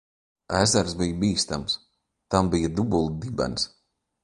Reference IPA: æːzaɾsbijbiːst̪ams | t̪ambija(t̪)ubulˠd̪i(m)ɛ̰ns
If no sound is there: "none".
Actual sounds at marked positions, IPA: d̪, b

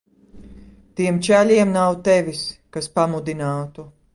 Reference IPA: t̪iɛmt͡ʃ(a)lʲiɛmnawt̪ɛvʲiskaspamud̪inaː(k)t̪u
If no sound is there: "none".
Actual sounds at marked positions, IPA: æ, none

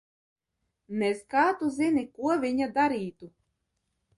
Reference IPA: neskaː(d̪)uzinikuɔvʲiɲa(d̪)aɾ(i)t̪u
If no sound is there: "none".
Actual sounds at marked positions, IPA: t̪, d̪, iː

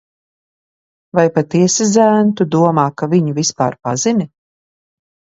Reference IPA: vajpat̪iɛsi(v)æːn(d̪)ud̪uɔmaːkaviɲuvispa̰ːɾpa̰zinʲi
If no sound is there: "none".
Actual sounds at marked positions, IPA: z, t̪

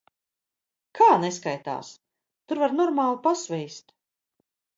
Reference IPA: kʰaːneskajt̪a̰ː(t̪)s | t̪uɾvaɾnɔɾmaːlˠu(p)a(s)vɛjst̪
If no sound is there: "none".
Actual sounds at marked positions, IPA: none, p, s

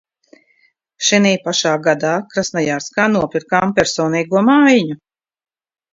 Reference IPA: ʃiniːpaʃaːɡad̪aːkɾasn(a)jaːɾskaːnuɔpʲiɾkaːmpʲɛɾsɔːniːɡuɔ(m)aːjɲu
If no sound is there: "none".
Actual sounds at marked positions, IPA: a, m

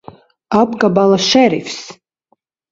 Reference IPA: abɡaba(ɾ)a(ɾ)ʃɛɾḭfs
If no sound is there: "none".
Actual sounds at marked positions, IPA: l, none

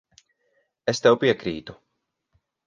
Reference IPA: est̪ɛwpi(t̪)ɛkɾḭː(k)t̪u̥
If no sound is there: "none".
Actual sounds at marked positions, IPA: none, none

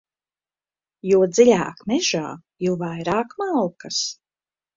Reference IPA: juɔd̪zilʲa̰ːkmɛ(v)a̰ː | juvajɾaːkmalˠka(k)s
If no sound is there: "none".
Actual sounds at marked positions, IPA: ʒ, none

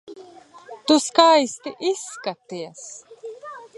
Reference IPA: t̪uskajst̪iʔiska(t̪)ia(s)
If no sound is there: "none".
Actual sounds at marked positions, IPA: t̪, s

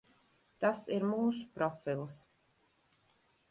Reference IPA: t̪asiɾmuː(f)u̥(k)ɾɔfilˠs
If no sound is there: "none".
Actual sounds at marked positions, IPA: s, p

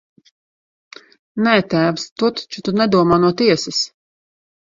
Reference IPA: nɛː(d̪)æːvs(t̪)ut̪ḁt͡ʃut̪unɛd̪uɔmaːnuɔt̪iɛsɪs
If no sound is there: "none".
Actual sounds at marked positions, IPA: t̪, t̪

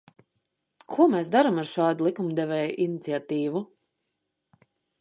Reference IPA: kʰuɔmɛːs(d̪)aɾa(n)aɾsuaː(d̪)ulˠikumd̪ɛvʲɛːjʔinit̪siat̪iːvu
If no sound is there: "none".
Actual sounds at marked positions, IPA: d̪, m, d̪

